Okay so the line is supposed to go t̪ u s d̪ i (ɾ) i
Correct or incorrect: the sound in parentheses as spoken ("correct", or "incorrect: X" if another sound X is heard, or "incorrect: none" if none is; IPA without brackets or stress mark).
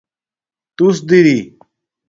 correct